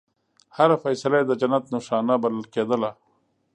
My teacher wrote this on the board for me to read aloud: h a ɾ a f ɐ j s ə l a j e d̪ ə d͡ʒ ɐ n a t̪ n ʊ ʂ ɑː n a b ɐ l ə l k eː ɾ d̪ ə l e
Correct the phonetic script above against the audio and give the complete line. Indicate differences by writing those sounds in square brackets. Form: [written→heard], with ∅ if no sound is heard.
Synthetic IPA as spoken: h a ɾ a f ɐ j s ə l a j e d̪ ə d͡ʒ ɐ n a t̪ n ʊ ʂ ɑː n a b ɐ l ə l k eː [ɾ→∅] d̪ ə l [e→a]